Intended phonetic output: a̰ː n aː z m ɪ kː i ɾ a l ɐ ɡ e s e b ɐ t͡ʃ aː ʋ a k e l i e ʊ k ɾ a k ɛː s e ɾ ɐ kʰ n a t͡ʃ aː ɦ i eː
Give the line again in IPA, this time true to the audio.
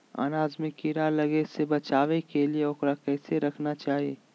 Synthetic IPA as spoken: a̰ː n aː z m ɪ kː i ɾ a l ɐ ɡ e s e b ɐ t͡ʃ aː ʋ e k e l i e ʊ k ɾ a k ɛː s e ɾ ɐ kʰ n a t͡ʃ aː ɦ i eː